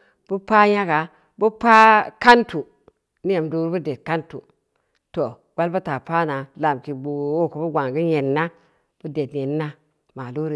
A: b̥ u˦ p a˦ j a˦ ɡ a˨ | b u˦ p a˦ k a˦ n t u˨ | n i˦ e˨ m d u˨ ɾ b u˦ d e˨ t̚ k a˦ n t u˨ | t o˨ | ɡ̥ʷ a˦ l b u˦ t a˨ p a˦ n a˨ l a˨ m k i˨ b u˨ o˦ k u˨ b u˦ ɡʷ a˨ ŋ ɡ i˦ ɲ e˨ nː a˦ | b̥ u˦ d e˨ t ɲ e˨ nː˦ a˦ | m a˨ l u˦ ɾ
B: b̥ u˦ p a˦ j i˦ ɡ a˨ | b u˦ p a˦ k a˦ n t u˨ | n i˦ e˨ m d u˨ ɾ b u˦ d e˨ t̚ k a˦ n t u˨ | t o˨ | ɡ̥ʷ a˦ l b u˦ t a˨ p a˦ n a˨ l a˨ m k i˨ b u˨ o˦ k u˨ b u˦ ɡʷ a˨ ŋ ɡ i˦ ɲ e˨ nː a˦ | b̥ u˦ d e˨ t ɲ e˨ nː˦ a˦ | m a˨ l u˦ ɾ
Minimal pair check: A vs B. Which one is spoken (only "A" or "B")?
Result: A